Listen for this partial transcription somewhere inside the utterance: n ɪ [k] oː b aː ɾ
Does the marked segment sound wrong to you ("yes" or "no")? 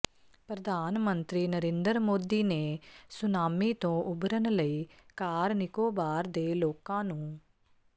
no